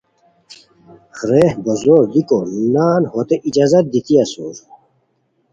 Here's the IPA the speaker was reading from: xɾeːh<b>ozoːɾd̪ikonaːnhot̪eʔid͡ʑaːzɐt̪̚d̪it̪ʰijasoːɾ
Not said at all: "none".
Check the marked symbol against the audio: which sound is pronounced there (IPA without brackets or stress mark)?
b